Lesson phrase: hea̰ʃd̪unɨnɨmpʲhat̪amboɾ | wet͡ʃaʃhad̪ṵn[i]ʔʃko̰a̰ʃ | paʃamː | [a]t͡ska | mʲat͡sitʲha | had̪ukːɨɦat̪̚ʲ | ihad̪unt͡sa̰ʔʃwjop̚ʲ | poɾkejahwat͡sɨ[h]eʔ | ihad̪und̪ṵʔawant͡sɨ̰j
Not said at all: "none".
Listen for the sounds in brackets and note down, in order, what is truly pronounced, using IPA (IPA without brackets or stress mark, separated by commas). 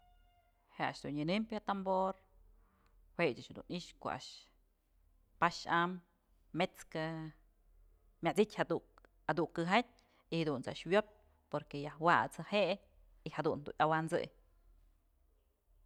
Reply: i, e, h